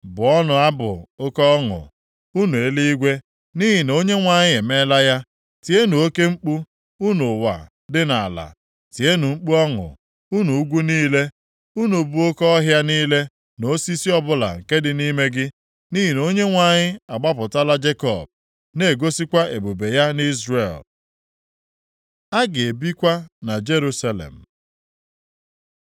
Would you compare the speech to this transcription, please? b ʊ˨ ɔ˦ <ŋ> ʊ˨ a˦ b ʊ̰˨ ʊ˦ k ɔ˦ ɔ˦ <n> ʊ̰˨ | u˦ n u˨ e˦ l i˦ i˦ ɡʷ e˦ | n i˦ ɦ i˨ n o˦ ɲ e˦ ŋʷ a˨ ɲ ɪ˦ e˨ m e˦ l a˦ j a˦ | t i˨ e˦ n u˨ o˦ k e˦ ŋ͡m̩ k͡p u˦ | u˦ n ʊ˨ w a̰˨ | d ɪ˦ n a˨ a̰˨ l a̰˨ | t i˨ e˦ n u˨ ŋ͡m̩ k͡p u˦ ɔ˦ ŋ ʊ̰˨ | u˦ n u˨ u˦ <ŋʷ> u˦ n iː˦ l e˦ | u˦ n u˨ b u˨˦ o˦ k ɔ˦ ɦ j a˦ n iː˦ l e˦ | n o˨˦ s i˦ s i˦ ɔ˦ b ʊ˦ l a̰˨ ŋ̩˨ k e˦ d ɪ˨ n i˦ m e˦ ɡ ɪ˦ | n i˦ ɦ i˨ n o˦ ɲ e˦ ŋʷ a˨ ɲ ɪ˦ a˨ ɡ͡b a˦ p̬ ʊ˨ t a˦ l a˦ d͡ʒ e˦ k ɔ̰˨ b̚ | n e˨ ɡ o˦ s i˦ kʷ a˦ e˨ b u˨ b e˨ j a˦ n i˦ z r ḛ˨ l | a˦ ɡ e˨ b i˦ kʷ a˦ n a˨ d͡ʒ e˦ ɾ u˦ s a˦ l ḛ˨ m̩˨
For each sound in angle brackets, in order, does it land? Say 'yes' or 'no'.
no, no, no

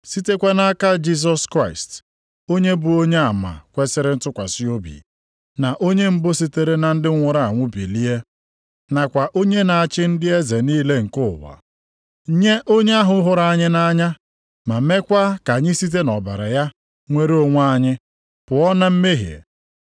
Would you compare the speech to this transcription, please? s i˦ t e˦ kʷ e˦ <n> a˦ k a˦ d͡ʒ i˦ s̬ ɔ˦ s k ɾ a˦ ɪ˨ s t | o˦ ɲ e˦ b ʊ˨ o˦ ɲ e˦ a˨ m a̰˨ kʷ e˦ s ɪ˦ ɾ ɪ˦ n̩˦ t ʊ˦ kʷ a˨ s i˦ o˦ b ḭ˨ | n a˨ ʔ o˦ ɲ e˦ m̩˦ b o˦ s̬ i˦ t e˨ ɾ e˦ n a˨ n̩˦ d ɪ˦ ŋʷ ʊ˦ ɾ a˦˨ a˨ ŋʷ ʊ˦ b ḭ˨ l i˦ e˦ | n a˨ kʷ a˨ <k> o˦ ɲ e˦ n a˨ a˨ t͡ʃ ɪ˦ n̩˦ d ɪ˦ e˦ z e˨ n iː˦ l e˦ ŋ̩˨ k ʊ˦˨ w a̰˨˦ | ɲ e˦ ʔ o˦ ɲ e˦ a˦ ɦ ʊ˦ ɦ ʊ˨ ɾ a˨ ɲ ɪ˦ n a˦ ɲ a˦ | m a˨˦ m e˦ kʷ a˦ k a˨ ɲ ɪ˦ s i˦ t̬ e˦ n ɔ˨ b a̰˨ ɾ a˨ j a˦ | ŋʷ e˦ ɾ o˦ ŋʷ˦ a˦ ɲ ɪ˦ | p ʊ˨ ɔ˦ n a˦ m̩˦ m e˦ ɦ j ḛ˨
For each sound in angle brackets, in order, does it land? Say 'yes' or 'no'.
yes, no

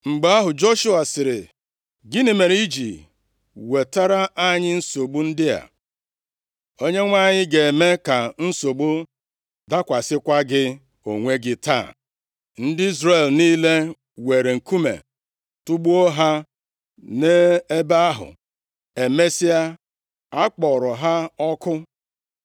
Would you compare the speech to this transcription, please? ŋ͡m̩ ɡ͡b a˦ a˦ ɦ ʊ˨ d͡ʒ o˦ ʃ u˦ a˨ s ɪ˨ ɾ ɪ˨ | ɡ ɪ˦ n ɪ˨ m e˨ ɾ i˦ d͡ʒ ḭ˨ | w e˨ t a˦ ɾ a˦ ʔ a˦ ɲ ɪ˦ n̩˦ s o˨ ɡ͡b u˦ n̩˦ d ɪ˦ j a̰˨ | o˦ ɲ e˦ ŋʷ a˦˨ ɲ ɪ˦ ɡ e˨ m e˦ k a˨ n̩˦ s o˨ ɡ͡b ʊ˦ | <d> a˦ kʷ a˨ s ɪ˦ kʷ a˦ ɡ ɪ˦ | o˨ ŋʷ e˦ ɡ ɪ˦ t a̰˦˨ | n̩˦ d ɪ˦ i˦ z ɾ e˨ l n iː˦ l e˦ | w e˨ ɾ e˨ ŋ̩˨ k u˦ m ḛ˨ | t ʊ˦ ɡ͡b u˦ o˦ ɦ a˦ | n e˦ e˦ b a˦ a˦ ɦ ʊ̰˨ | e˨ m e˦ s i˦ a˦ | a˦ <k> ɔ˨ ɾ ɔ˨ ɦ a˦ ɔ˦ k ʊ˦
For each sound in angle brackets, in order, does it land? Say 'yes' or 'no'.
yes, no

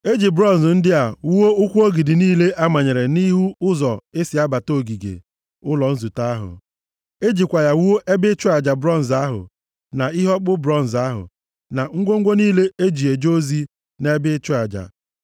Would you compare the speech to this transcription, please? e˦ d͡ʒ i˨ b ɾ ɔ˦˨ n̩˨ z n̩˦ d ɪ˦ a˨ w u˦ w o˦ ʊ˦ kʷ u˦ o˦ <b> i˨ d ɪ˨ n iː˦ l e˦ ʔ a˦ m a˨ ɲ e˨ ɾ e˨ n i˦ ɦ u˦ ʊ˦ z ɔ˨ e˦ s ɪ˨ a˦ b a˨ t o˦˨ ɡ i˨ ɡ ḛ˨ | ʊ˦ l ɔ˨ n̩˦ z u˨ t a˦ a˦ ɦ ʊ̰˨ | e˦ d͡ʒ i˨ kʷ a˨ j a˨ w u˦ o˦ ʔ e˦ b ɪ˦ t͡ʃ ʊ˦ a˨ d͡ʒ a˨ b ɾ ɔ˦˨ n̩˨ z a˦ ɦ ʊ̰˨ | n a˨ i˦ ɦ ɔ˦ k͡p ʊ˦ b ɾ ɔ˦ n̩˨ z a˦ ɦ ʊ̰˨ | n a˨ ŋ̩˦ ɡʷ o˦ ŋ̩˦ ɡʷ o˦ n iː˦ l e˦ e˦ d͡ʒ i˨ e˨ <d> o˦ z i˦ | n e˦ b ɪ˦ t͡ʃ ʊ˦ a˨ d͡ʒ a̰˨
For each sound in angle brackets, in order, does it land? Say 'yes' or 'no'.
no, no

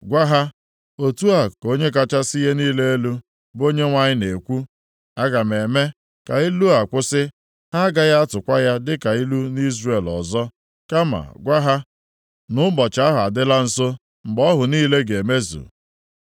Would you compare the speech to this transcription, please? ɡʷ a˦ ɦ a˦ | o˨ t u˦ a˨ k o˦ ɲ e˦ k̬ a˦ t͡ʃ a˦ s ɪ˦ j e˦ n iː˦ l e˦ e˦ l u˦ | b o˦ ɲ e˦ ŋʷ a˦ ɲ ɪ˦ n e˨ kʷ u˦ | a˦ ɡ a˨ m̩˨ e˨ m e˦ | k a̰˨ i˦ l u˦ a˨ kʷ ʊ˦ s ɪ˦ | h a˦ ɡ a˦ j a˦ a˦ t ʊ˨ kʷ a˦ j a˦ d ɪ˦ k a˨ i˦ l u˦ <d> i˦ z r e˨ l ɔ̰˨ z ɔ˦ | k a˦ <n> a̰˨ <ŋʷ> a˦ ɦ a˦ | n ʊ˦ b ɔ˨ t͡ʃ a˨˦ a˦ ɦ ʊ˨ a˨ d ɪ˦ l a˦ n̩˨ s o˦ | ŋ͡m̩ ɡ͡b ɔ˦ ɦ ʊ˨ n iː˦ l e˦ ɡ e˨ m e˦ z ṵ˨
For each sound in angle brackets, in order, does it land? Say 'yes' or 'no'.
no, no, no

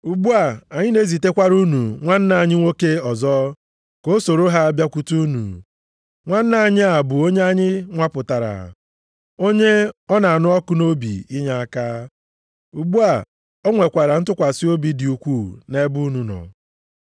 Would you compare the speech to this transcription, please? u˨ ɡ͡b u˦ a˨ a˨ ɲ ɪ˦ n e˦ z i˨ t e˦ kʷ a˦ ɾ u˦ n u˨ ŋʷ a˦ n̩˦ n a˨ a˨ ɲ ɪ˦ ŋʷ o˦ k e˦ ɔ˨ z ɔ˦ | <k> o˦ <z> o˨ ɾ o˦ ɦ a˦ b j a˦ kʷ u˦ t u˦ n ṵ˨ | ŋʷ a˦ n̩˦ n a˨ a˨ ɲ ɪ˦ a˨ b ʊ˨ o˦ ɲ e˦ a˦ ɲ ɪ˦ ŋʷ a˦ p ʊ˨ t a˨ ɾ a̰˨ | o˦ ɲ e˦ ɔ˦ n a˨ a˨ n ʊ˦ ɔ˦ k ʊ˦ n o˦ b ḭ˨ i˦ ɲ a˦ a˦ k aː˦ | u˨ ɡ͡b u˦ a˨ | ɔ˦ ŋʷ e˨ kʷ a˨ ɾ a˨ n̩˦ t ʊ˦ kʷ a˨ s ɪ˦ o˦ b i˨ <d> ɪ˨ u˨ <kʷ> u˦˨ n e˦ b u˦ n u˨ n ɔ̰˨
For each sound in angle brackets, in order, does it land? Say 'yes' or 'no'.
yes, no, yes, yes

